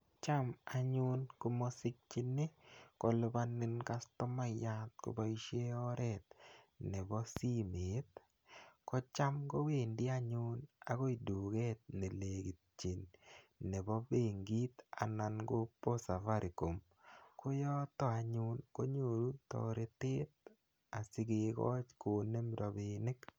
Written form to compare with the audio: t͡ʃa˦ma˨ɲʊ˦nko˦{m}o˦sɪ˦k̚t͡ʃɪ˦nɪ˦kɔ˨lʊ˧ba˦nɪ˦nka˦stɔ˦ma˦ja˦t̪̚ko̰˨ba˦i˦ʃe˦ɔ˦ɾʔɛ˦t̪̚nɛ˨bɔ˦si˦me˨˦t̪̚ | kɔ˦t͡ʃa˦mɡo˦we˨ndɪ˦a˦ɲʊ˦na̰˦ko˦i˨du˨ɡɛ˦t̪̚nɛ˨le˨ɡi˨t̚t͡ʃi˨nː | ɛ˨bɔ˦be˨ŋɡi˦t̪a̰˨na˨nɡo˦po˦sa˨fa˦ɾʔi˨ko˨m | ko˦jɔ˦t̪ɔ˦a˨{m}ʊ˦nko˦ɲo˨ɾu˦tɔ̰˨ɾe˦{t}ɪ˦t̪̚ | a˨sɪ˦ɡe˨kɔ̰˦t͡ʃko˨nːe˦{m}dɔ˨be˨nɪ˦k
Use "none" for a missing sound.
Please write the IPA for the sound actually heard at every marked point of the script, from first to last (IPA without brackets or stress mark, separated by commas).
m, ɲ, t, m